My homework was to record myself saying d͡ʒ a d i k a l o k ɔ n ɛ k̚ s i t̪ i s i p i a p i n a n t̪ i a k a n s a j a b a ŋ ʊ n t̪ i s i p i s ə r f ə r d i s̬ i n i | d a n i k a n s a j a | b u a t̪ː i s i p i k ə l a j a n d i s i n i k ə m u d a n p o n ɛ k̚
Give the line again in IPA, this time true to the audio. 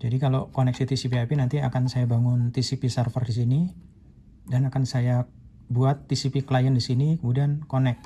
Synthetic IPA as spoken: d͡ʒ a d i k a l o k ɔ n ɛ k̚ s i t̪ i s i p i a p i n a n t̪ i a k a n s a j a b a ŋ ʊ n t̪ i s i p i s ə r f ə r d i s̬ i n i | d a n a k a n s a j a | b u a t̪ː i s i p i k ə l a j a n d i s i n i k ə m u d a n k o n ɛ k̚